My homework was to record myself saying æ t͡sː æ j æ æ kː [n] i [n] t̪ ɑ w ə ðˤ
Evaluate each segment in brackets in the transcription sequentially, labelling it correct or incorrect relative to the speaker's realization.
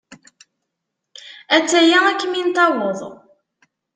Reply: incorrect, correct

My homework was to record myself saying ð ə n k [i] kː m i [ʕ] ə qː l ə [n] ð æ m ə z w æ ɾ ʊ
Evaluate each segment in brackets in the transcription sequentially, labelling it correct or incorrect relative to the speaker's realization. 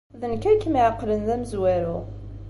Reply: incorrect, correct, correct

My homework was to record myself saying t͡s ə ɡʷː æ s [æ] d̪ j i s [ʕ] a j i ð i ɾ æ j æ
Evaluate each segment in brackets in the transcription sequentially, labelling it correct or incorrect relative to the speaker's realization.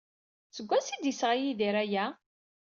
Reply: incorrect, incorrect

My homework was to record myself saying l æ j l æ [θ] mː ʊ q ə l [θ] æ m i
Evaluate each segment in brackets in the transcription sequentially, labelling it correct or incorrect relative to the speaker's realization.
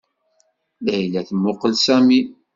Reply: correct, incorrect

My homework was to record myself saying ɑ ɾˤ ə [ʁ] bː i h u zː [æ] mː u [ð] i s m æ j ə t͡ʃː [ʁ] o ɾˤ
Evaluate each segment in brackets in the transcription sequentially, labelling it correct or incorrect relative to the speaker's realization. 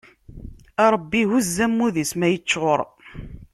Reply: incorrect, correct, correct, correct

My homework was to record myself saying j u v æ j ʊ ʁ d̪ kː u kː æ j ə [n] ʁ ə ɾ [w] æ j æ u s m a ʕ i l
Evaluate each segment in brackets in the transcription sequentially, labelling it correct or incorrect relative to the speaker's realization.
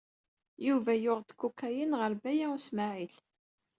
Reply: correct, incorrect

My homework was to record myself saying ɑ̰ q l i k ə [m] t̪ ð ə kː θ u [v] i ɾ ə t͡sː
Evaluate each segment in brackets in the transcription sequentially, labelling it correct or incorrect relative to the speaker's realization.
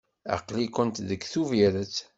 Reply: incorrect, correct

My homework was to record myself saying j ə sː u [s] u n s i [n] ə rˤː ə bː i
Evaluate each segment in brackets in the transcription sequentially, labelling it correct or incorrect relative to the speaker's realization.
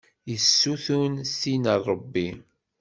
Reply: incorrect, correct

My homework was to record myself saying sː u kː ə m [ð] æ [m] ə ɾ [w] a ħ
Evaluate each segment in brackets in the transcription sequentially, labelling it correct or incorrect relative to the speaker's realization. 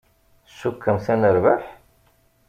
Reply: incorrect, incorrect, incorrect

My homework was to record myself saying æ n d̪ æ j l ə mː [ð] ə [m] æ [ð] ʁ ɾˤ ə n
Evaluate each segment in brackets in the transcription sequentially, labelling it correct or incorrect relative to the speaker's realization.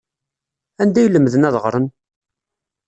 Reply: correct, incorrect, correct

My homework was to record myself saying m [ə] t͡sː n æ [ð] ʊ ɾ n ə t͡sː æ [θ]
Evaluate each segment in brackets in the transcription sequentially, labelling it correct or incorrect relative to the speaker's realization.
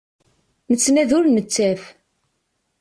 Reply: correct, correct, incorrect

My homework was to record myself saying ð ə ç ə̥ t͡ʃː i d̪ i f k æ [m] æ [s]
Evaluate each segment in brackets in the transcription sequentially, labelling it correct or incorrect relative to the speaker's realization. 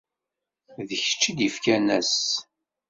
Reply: incorrect, correct

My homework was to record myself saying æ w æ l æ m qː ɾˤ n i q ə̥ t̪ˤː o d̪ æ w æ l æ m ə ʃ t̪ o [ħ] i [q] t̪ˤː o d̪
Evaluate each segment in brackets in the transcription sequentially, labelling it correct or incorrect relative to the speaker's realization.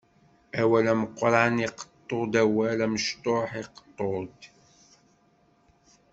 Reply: correct, correct

